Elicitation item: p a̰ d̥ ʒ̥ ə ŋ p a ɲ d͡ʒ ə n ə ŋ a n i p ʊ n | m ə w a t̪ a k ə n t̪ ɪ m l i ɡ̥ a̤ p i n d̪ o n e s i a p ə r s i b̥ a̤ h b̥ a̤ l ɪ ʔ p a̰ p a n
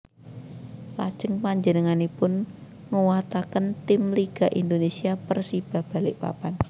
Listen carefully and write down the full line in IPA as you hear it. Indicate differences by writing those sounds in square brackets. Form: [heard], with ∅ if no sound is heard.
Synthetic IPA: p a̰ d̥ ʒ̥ ə ŋ p a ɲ d͡ʒ ə n ə ŋ a n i p ʊ n | [ŋ] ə w a t̪ a k ə n t̪ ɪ m l i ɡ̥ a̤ [ʔ] i n d̪ o n e s i a p ə r s i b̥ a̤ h b̥ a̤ l ɪ ʔ p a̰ p a n